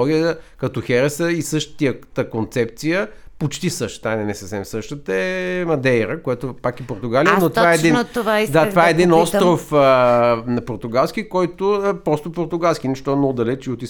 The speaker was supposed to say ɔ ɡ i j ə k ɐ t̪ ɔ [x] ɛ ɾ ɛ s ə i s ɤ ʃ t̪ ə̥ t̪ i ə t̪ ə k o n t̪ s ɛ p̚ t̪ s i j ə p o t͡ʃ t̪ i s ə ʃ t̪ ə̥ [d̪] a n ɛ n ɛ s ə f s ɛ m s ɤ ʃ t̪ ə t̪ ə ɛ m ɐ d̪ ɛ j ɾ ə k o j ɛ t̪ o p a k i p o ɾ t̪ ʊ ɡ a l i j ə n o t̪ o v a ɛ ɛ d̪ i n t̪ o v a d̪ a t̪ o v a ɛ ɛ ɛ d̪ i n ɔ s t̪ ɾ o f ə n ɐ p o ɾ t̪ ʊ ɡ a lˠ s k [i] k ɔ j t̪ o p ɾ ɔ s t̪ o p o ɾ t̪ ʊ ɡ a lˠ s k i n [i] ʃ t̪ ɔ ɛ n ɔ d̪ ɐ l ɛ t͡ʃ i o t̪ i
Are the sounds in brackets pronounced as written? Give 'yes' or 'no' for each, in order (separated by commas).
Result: yes, no, yes, no